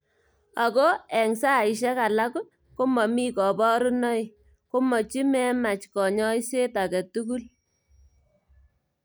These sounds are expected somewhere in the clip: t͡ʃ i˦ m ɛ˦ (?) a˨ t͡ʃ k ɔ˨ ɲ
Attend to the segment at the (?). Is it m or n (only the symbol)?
m